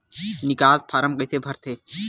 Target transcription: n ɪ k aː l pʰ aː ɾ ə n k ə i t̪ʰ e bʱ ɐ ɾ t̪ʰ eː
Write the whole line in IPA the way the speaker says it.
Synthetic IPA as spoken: n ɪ k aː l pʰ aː ɾ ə m k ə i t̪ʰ e bʱ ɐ ɾ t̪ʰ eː